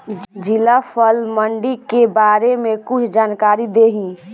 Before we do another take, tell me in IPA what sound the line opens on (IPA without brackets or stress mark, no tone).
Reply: d͡ʒ